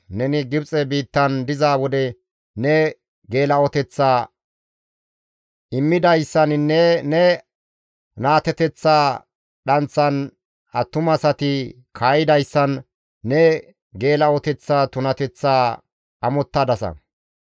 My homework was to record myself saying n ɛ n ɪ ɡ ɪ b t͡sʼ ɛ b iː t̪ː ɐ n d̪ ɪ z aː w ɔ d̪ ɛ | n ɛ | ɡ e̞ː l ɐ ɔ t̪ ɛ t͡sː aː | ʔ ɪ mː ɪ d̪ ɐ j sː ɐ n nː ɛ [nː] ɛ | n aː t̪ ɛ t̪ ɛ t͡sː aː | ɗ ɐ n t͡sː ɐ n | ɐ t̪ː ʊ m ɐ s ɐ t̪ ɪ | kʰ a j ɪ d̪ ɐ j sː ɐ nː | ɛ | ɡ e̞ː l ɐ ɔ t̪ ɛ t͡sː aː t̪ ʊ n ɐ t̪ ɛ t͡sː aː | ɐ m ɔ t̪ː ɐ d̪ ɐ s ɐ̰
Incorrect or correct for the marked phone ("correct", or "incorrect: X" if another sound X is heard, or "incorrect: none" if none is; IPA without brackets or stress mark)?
incorrect: n